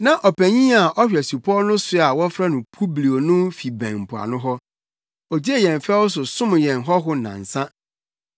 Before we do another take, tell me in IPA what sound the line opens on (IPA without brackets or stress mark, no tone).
n